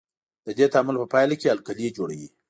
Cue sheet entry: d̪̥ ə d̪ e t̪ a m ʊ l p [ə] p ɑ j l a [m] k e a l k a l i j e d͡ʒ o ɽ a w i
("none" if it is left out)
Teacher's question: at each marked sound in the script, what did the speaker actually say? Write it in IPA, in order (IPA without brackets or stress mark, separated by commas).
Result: ə, none